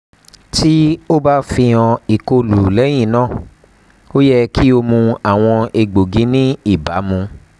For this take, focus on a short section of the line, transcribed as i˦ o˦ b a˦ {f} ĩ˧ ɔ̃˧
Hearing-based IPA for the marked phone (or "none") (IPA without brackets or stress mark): f